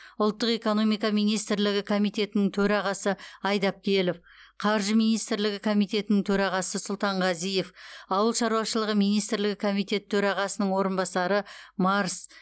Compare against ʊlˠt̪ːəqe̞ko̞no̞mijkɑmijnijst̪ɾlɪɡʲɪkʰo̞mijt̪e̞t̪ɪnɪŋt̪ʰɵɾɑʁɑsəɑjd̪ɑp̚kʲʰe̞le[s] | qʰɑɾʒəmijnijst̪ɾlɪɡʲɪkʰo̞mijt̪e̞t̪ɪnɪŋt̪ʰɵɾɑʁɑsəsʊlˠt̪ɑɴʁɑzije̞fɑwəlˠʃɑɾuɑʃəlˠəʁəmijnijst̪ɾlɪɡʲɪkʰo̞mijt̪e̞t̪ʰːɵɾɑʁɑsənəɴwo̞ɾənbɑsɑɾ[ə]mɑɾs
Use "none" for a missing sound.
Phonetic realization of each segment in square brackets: f, ə

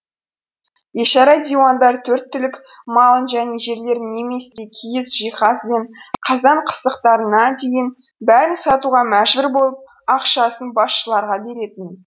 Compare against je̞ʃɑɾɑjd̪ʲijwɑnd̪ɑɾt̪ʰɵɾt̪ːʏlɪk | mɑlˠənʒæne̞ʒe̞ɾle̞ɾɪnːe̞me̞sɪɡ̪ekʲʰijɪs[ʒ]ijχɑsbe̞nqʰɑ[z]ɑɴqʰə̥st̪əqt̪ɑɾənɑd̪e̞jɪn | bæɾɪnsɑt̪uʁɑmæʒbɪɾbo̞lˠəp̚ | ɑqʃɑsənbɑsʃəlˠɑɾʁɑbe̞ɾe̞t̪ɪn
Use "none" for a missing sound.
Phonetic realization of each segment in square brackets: ʒ, z

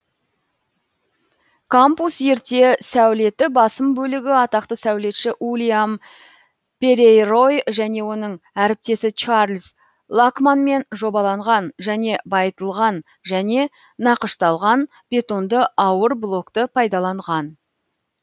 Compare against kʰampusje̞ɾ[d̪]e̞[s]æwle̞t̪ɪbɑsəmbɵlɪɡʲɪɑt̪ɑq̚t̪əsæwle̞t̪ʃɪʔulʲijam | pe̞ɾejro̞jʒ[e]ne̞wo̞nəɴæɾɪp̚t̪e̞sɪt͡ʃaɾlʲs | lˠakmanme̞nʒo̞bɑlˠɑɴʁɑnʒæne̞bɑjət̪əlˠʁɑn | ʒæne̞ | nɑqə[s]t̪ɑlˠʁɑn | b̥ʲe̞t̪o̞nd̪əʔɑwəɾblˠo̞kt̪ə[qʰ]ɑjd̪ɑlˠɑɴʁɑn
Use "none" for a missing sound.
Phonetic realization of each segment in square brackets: t̪, s, æ, ʃ, pʰ

